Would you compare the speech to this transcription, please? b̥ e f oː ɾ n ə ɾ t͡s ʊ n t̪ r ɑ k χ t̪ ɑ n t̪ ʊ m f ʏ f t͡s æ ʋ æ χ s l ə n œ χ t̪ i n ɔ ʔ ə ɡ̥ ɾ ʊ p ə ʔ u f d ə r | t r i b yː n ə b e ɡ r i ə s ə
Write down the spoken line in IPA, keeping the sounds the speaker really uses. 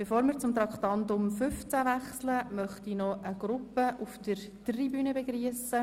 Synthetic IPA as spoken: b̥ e f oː ɾ m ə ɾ t͡s ʊ m t̪ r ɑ k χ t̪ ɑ n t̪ ʊ m f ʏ f t͡s æ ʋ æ χ s l ə m œ χ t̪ i n ɔ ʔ ə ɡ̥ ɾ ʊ p ə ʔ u f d ə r | t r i b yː n ə b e ɡ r i ə s ə